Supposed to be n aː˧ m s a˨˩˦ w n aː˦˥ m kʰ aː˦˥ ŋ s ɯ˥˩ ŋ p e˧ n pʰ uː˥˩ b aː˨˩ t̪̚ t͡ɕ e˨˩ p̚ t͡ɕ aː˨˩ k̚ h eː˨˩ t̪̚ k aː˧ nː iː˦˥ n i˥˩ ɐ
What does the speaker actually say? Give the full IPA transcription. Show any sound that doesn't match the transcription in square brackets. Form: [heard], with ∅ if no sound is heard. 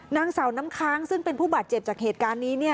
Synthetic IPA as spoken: n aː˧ [ŋ] s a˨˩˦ w n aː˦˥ m kʰ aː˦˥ ŋ s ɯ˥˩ ŋ p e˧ n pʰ uː˥˩ b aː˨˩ t̪̚ t͡ɕ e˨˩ p̚ t͡ɕ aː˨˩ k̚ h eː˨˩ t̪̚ k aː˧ nː iː˦˥ n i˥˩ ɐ